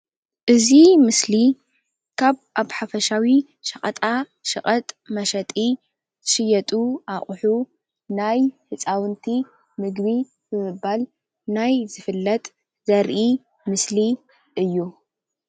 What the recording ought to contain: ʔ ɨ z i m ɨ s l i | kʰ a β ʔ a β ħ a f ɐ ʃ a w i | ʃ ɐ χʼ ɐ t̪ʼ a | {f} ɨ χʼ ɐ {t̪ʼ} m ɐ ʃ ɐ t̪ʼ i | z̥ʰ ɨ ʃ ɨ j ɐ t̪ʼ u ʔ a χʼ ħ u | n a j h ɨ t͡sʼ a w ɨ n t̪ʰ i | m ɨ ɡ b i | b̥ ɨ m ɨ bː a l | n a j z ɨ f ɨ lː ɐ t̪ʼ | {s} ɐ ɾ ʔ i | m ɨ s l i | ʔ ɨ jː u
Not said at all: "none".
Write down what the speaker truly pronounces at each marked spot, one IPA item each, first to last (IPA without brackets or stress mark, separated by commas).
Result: ʃ, t̪ʼ, z